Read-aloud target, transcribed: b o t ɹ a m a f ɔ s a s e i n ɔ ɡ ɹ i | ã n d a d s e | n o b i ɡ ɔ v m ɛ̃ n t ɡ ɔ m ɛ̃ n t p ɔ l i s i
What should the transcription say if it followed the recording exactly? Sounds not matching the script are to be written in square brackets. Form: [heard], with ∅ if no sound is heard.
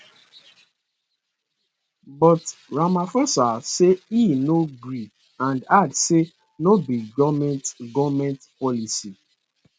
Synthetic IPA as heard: b [ɔ] t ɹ a m a f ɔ s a s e i n [o] ɡ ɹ i | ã n d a d s e | n o b i ɡ ɔ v m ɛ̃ n t ɡ ɔ m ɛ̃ n t p ɔ l i s i